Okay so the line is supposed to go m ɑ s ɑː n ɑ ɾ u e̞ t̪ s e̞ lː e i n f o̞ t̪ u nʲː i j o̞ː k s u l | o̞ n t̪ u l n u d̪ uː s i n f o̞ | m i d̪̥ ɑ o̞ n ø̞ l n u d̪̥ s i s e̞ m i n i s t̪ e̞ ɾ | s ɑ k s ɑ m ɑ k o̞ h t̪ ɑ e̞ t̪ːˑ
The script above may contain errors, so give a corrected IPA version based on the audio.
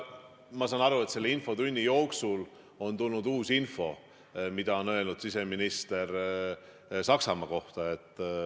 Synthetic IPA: m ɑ s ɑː n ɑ ɾ u e̞ t̪ s e̞ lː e i n f o̞ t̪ u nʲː i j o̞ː k s u l | o̞ n t̪ u l n u d̪ uː s i n f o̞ | m i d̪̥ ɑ o̞ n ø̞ l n u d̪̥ s i s e̞ m i n i s t̪ e̞ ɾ | s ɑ k s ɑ m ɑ k o̞ h t̪ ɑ e̞ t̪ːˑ